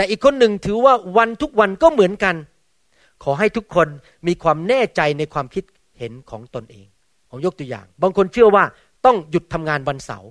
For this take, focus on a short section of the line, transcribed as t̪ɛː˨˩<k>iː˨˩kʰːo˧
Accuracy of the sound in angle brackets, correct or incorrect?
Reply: incorrect